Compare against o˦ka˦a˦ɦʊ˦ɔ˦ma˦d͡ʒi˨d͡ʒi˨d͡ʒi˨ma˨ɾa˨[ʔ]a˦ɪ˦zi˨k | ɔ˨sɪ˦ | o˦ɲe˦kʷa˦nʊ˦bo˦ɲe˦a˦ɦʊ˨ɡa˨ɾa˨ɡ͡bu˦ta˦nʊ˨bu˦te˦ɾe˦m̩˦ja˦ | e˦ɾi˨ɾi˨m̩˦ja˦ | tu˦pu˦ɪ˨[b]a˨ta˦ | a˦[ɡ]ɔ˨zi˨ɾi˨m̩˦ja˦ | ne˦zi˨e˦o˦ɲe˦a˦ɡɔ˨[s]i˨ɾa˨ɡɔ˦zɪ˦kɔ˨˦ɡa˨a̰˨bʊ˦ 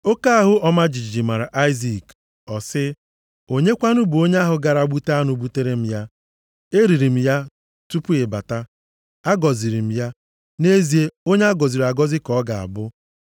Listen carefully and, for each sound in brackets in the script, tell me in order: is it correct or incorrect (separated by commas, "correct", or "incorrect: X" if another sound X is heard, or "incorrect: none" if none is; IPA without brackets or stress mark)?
correct, correct, correct, incorrect: z